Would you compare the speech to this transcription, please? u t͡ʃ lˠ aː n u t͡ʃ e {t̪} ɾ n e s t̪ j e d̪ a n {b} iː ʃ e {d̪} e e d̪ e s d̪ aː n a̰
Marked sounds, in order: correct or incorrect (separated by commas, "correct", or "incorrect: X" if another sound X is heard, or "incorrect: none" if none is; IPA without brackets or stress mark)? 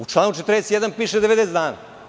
correct, incorrect: p, correct